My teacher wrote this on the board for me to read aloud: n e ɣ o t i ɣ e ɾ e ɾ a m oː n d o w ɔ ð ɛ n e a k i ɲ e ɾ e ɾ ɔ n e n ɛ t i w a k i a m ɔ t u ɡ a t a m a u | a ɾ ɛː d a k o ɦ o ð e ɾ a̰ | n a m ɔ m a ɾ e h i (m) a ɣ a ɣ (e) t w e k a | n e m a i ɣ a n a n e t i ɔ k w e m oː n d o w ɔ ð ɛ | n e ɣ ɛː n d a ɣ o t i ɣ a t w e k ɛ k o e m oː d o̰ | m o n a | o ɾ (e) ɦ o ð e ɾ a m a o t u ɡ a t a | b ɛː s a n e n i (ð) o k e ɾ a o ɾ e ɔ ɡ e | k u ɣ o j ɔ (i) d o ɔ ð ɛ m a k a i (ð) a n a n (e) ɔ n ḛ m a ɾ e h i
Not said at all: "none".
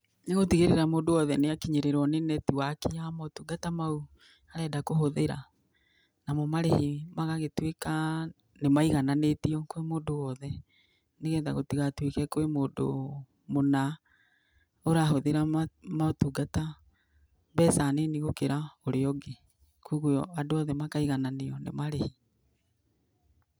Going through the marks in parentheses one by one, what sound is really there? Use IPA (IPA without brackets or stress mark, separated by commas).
m, e, a, ɣ, a, ɣ, e